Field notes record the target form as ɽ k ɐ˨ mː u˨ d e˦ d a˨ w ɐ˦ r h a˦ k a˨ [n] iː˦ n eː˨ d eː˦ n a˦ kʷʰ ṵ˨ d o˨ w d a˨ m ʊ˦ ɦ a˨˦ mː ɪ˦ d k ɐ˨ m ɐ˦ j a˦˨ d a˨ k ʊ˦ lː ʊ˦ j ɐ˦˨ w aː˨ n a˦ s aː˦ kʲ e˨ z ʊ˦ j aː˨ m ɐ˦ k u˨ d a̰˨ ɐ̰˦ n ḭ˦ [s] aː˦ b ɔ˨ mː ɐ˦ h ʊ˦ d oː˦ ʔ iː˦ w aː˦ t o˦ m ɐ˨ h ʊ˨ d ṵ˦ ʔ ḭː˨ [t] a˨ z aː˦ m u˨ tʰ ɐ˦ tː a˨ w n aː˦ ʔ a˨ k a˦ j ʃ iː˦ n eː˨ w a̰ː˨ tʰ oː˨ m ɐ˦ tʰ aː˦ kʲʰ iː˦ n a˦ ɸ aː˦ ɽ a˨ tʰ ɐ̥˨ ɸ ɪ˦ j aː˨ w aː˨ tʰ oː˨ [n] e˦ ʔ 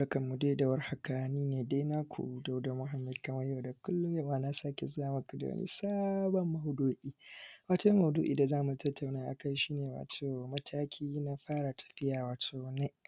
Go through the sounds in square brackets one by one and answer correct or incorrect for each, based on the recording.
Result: correct, correct, incorrect: d, correct

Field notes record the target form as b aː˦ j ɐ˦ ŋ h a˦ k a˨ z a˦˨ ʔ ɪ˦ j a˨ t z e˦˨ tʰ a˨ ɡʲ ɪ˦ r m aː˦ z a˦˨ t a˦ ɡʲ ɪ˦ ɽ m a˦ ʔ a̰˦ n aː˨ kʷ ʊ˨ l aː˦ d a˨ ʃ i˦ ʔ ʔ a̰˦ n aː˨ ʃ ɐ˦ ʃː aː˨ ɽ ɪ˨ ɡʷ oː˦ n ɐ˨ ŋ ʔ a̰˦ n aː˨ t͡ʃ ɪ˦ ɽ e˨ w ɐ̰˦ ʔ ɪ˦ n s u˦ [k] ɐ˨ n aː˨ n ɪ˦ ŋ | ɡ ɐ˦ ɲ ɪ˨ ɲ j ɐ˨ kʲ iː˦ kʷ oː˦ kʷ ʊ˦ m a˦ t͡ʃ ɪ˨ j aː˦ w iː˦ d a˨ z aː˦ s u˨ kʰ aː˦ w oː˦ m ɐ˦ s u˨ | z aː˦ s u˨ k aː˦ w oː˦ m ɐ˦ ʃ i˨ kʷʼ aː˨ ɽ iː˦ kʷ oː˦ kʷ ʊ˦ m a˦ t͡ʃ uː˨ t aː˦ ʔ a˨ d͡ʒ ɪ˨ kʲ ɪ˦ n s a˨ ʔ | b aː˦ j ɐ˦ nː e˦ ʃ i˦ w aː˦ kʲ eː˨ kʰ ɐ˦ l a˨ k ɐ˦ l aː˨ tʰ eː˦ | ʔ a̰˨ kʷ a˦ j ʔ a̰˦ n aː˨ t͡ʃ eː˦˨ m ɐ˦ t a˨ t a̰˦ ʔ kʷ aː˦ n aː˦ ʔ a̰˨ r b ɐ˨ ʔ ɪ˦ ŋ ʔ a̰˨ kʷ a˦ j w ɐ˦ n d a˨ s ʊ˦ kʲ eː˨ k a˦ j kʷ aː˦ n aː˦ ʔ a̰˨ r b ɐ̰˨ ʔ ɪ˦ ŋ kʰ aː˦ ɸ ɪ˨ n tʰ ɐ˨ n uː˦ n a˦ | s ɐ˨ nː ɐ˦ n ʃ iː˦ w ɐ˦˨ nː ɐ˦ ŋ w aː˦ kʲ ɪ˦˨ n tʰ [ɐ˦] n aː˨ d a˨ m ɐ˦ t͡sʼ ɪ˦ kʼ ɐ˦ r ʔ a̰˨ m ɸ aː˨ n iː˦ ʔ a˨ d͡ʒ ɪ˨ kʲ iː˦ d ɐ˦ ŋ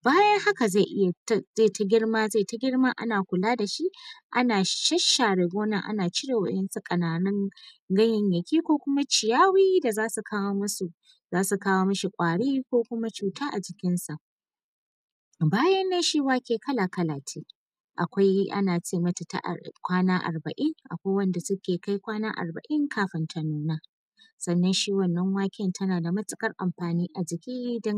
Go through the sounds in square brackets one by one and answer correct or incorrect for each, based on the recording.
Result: incorrect: kʼ, correct

